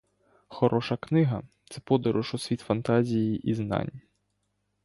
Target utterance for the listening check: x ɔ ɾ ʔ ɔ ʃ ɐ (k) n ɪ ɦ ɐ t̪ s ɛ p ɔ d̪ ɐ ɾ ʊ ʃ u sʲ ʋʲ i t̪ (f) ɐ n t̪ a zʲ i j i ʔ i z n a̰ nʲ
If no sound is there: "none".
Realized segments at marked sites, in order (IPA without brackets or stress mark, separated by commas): k, f